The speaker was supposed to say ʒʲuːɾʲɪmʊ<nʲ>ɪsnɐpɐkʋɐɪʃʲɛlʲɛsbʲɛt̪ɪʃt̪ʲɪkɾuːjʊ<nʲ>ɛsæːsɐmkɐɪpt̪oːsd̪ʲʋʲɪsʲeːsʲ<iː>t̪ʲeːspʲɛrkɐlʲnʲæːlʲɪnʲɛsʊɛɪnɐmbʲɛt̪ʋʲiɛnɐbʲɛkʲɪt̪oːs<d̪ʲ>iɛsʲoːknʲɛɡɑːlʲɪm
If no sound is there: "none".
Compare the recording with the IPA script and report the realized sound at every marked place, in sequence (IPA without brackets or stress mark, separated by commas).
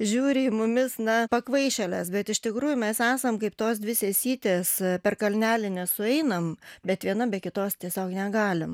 mʲ, mʲ, iː, t̪ʲ